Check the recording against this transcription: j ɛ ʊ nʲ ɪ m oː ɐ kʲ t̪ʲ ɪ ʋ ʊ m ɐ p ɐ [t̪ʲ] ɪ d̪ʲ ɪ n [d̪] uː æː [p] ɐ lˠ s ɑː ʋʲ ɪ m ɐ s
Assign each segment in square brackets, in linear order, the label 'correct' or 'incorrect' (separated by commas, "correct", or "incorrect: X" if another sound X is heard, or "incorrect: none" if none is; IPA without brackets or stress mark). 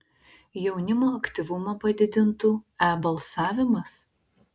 incorrect: d̪ʲ, incorrect: t̪, incorrect: b